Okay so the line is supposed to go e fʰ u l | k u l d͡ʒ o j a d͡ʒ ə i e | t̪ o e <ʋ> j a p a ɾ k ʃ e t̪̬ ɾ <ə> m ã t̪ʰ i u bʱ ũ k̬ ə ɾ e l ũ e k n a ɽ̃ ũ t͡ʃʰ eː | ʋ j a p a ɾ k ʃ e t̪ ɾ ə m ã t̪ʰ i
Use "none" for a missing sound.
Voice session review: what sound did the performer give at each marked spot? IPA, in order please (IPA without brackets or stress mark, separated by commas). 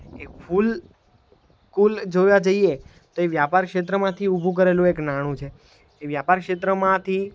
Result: ʋ, ə